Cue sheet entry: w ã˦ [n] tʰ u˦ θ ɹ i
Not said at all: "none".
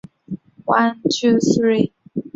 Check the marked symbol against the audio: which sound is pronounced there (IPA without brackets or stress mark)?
n